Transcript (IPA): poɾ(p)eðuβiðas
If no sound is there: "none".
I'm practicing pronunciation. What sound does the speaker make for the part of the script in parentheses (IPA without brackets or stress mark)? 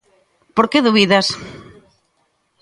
k